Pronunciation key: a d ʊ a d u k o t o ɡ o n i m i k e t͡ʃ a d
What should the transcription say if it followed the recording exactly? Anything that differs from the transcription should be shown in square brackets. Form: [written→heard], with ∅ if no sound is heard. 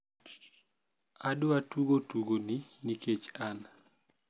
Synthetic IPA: a d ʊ a [d→t] u [k→ɡ] o t [o→u] ɡ o n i [m→n] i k e t͡ʃ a [d→n]

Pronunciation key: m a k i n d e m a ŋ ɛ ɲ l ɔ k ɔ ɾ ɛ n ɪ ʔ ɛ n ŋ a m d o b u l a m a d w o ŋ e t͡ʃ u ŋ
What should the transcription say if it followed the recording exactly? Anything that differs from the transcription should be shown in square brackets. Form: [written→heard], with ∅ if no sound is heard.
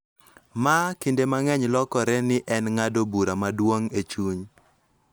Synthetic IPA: m a k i n d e m a ŋ ɛ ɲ l ɔ k ɔ ɾ ɛ n ɪ ʔ ɛ n ŋ a [m→∅] d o b u [l→ɾ] a m a d w o ŋ e t͡ʃ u [ŋ→ɲ]

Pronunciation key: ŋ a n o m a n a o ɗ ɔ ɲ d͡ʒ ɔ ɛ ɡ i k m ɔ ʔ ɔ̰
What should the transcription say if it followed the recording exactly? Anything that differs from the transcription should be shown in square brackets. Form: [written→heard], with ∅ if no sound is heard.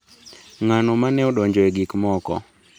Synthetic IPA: ŋ a n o m a n [a→ɛ] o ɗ ɔ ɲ d͡ʒ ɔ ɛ ɡ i k m ɔ [ʔ→k] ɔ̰

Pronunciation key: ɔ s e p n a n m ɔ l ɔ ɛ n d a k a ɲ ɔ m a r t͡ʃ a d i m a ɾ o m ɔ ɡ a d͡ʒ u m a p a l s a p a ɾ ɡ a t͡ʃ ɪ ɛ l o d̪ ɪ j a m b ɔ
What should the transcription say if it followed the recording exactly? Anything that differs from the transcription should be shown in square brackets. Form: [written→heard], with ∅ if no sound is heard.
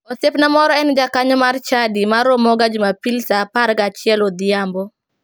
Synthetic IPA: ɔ s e p n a [n→∅] m ɔ [l→ɾ] ɔ ɛ n [d→d͡ʒ] a k a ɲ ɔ m a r t͡ʃ a d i m a ɾ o m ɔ ɡ a d͡ʒ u m a p [a→i] l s a p a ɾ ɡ a t͡ʃ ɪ ɛ l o d̪ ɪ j a m b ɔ

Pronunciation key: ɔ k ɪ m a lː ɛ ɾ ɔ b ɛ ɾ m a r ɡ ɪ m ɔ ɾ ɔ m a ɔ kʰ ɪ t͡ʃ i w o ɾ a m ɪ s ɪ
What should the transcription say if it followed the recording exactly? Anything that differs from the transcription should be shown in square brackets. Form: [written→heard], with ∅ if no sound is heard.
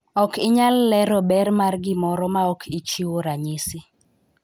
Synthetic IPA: ɔ k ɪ [m→ɲ] a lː ɛ ɾ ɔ b ɛ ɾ m a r ɡ ɪ m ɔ ɾ ɔ m a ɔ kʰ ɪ t͡ʃ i w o ɾ a [m→ɲ] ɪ s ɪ

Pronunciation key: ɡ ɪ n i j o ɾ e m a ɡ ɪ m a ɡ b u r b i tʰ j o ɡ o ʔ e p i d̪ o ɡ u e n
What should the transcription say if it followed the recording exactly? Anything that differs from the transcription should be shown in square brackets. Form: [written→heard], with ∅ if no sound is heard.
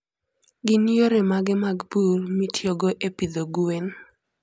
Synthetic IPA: ɡ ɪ n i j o ɾ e m a ɡ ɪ m a ɡ b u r [b→m] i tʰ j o ɡ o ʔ e p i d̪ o ɡ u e n

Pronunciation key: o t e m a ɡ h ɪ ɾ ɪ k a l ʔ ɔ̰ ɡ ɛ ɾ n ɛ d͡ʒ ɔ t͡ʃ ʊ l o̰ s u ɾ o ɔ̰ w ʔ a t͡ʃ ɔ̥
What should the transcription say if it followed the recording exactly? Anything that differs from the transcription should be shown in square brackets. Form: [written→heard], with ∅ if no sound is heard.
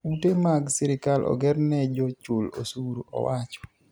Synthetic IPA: [o→u] t e m a ɡ [h→s] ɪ ɾ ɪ k a l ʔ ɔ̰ ɡ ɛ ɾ n ɛ d͡ʒ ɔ t͡ʃ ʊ l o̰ s u ɾ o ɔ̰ w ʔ a t͡ʃ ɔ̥

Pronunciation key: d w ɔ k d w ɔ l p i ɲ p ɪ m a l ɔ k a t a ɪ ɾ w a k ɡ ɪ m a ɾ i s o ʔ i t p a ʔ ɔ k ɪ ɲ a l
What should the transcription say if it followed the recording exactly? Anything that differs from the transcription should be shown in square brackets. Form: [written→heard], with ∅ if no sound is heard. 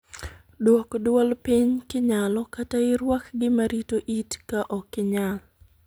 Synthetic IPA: d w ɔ k d w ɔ l p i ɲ [p→k] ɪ [m→ɲ] a l ɔ k a t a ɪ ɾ w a k ɡ ɪ m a ɾ i [s→t] o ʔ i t [p→k] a ʔ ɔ k ɪ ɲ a l

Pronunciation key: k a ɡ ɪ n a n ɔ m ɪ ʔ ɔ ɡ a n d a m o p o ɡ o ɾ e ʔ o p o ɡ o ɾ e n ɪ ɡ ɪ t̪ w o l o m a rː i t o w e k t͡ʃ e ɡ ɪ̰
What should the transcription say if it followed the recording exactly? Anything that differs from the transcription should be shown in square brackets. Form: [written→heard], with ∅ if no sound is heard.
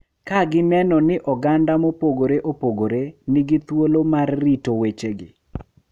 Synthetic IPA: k a ɡ ɪ n [a→ɛ] n ɔ [m→n] ɪ ʔ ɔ ɡ a n d a m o p o ɡ o ɾ e ʔ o p o ɡ o ɾ e n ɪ ɡ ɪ t̪ w o l o m a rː i t o w e [k→∅] t͡ʃ e ɡ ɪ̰

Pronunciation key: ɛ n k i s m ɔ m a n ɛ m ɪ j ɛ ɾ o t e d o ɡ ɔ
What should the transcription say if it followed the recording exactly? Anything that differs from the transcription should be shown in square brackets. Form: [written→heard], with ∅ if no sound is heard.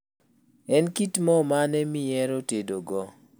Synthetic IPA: ɛ n k i [s→t] m ɔ m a n ɛ m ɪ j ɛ ɾ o t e d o ɡ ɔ

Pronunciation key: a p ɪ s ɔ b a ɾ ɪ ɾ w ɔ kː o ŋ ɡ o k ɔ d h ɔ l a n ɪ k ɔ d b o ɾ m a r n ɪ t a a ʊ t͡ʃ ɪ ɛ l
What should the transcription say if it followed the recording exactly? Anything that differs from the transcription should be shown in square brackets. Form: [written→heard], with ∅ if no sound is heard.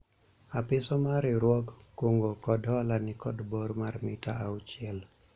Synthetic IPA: a p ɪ s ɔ [b→m] a ɾ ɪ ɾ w ɔ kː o ŋ ɡ o k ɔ d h ɔ l a n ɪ k ɔ d b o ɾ m a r [n→m] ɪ t a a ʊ t͡ʃ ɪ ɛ l

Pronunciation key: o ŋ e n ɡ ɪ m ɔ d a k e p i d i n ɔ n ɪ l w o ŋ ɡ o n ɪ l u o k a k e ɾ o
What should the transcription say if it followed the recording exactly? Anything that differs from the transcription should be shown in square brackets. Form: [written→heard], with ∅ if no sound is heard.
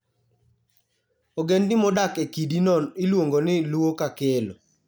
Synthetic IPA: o [ŋ→ɡ] e n [ɡ→d] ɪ m ɔ d a k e [p→k] i d i n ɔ n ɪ l w o ŋ ɡ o n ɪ l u o k a k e [ɾ→l] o

